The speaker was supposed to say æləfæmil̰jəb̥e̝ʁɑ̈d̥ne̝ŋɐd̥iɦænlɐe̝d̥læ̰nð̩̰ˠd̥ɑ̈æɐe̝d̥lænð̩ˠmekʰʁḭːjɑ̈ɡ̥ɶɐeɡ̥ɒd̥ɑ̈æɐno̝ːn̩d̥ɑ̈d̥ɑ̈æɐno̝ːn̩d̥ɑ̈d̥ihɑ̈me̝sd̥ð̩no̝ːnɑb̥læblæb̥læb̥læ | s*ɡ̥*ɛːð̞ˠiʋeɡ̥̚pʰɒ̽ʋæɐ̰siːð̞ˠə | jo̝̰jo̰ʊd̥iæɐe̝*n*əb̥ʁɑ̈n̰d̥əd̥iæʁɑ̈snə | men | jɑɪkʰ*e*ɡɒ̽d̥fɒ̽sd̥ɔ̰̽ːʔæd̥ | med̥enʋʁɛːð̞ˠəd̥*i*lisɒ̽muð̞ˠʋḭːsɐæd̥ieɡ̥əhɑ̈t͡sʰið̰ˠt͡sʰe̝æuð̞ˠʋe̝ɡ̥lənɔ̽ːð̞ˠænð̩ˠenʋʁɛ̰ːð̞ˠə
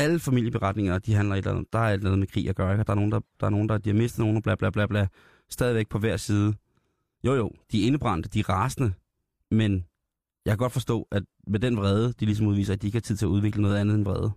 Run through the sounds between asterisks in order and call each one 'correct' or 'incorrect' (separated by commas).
incorrect, correct, incorrect, correct